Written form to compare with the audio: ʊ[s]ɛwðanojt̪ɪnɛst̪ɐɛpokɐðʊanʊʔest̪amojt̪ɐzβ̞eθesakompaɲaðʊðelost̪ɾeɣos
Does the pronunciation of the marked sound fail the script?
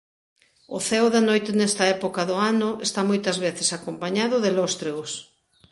yes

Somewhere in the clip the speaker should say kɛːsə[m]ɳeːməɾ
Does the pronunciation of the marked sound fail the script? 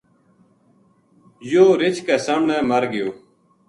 no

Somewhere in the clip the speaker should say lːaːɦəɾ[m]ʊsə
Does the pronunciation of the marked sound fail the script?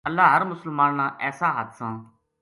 no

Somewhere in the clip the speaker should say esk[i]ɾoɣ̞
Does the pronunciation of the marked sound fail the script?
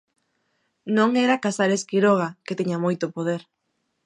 no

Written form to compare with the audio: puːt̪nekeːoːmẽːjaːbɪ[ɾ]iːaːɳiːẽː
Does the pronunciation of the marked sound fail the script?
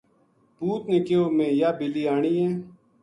yes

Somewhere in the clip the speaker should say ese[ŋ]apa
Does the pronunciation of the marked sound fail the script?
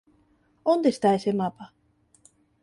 yes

